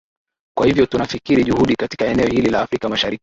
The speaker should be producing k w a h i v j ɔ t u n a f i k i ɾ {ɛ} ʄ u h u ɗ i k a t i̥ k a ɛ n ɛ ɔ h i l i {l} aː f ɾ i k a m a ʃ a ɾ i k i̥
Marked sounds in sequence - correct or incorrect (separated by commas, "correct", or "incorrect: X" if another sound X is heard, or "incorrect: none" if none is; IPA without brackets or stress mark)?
incorrect: i, correct